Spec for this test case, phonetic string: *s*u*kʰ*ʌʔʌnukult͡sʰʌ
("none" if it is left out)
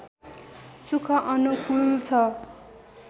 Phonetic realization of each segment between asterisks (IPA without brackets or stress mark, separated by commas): s, kʰ